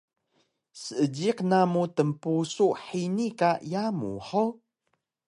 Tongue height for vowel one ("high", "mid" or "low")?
mid